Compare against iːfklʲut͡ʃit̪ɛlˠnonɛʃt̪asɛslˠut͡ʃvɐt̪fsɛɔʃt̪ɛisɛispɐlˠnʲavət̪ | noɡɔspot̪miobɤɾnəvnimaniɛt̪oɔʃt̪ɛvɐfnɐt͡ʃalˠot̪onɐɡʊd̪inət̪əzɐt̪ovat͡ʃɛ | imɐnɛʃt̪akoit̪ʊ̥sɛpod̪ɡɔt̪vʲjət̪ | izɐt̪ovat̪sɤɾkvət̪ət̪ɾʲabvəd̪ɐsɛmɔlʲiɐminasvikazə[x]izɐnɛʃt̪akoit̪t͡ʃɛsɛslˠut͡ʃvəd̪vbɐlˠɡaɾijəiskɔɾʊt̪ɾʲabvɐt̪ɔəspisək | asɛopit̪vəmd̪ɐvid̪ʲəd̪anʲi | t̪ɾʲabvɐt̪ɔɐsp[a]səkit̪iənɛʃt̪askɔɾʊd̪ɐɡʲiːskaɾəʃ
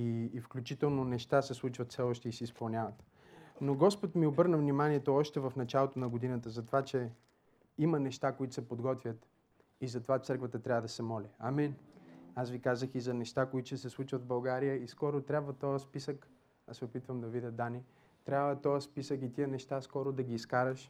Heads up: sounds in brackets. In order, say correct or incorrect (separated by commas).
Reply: correct, incorrect